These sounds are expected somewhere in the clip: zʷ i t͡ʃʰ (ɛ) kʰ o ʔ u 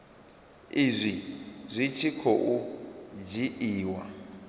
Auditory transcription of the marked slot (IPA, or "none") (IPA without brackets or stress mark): i